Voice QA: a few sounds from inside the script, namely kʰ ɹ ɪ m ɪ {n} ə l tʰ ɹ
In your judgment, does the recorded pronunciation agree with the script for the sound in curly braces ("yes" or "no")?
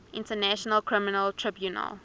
yes